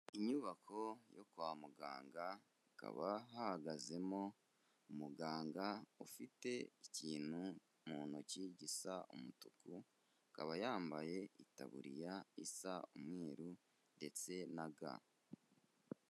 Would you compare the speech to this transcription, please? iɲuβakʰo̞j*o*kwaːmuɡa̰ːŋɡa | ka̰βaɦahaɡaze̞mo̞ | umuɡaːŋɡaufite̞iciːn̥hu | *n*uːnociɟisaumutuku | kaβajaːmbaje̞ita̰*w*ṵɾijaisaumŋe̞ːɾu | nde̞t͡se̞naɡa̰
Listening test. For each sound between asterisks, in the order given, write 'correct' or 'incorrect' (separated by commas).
correct, incorrect, incorrect